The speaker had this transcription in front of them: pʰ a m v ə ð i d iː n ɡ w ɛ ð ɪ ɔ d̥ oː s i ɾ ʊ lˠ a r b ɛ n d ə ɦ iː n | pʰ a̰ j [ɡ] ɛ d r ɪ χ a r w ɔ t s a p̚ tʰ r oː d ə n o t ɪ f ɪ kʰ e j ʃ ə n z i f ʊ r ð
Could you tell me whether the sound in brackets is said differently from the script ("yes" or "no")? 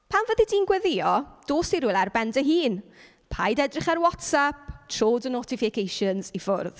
yes